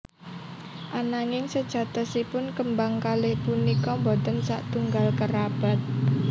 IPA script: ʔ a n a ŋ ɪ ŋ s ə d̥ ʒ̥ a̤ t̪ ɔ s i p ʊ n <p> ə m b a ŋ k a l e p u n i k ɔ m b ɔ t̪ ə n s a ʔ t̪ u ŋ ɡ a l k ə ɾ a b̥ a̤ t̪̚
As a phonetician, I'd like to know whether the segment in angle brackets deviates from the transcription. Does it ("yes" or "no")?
yes